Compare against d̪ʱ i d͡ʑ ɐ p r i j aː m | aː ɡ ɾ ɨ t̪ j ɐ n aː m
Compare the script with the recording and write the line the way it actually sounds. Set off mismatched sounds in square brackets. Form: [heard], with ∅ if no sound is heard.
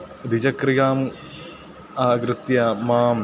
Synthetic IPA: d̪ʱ i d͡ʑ ɐ [k] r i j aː m | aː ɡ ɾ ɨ t̪ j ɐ [m] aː m